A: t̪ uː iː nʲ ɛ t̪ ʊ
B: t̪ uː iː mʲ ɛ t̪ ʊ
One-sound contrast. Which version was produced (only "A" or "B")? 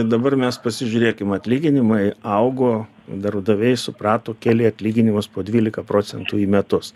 B